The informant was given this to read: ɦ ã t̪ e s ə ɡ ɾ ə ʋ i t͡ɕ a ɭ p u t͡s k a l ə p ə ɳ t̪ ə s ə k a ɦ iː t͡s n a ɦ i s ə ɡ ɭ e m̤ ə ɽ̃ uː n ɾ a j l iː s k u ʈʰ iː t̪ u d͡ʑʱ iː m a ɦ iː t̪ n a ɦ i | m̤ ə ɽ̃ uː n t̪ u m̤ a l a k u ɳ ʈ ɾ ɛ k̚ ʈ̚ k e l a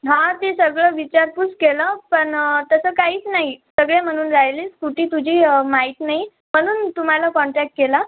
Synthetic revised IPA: ɦ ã t̪ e s ə ɡ ɭ ə ʋ i t͡ɕ a ɾ p u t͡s k e l ə p ə ɳ t̪ ə s ə k a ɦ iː t͡s n a ɦ i s ə ɡ ɭ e m̤ ə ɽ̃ uː n ɾ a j l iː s k u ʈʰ iː t̪ u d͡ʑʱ iː m a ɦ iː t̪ n a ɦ i | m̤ ə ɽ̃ uː n t̪ u m̤ a l a k ɔ ɳ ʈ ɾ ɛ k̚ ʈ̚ k e l a